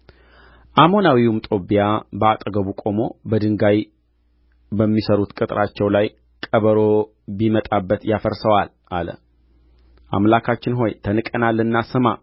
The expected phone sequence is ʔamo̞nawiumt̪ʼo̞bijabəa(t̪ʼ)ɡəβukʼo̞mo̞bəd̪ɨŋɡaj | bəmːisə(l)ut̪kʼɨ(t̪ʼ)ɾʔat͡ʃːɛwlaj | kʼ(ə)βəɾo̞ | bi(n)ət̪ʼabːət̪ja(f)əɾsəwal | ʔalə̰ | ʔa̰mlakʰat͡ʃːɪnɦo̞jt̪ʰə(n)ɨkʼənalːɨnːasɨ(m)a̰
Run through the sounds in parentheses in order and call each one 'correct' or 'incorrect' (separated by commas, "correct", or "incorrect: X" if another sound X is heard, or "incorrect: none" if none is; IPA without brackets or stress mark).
correct, incorrect: ɾ, correct, correct, incorrect: m, correct, correct, correct